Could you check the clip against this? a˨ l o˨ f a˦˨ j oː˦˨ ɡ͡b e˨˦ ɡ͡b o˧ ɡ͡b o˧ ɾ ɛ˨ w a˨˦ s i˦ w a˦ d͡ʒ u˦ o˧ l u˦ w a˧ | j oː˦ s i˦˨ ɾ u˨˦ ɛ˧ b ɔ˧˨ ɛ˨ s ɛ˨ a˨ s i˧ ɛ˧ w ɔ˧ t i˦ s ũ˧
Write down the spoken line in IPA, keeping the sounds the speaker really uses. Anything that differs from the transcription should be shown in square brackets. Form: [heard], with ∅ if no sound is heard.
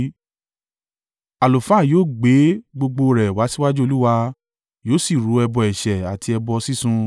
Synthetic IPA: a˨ l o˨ f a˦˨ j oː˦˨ ɡ͡b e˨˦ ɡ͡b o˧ ɡ͡b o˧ ɾ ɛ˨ w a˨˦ s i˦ w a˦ d͡ʒ u˦ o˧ l u˦ w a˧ | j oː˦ s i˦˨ ɾ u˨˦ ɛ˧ b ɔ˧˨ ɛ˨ [ʃ] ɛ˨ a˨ [t] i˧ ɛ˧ [b] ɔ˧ [s] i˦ s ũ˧